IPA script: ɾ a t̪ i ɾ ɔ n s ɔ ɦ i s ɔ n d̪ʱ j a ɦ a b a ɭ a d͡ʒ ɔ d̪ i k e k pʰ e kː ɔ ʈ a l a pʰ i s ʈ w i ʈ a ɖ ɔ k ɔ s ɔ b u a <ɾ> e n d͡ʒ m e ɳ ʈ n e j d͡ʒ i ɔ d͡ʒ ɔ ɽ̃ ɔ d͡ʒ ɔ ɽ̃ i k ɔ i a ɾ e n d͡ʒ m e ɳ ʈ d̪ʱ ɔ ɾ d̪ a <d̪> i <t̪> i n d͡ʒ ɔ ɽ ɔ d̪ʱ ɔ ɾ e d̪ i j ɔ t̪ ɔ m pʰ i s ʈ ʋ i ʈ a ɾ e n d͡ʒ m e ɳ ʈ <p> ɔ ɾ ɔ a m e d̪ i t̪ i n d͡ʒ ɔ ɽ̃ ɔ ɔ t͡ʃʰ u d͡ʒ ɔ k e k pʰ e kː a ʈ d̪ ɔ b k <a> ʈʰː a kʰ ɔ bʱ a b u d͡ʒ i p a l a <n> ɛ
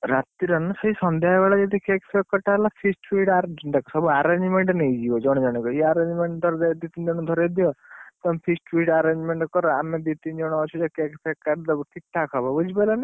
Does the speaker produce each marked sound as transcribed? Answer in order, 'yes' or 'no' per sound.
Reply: yes, yes, yes, no, no, yes

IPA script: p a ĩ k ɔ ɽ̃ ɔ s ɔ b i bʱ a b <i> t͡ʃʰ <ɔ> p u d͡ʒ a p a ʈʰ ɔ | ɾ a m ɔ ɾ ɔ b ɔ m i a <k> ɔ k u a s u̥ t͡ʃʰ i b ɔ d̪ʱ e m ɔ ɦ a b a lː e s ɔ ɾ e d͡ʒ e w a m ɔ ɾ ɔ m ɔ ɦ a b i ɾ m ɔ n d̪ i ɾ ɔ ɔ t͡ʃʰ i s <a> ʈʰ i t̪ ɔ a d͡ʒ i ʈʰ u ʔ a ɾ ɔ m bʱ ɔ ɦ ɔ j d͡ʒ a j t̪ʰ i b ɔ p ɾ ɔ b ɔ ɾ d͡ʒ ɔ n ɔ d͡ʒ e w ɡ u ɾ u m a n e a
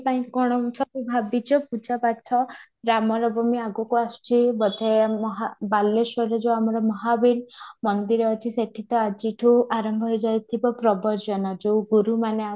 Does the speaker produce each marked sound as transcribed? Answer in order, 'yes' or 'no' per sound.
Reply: yes, yes, no, no

